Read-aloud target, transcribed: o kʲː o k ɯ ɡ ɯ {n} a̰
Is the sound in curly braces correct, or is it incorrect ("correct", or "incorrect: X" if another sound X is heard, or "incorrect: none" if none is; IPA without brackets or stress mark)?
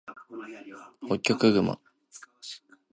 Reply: incorrect: m